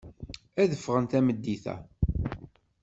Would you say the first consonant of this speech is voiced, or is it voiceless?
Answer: voiced